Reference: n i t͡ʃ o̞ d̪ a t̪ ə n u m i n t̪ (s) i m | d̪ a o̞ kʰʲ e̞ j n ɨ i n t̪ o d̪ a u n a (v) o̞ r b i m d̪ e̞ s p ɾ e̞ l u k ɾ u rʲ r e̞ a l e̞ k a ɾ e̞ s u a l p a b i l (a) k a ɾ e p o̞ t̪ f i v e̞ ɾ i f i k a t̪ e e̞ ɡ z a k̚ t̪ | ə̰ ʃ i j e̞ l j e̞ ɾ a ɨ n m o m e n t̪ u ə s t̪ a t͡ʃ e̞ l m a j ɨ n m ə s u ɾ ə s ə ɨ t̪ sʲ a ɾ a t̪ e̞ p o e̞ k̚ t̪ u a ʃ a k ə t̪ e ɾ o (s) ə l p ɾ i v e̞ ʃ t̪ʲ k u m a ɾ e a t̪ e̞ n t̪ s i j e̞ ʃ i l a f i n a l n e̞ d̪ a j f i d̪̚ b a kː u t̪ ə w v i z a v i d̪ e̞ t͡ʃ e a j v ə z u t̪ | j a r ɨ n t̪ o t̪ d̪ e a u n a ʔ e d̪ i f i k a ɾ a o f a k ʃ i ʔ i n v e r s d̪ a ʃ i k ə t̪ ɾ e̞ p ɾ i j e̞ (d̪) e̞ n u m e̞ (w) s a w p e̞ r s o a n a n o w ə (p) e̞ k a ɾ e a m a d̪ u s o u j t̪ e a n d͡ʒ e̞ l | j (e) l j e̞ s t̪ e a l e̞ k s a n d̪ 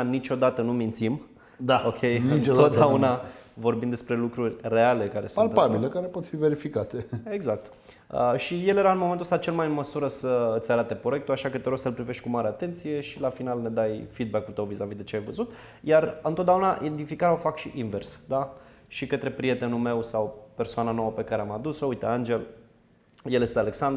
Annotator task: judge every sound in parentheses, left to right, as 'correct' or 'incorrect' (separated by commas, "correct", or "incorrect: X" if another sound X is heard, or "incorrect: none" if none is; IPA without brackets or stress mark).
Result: correct, correct, incorrect: e, correct, incorrect: t̪, correct, correct, correct